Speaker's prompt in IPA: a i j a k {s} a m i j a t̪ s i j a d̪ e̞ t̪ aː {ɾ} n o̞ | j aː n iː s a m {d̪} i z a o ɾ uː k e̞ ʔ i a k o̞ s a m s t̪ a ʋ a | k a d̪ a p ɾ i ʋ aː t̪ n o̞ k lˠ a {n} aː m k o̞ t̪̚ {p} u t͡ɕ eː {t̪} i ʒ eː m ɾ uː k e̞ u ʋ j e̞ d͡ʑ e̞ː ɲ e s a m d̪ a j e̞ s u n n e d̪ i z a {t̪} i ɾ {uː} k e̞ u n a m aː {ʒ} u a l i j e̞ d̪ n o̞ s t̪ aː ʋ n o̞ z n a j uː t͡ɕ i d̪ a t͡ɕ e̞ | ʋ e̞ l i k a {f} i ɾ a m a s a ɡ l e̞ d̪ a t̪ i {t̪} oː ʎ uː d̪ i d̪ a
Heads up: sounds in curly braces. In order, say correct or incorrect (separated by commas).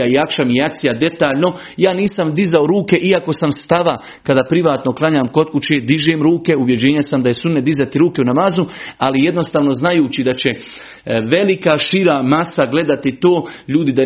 incorrect, incorrect, correct, incorrect, incorrect, incorrect, correct, correct, incorrect, incorrect, correct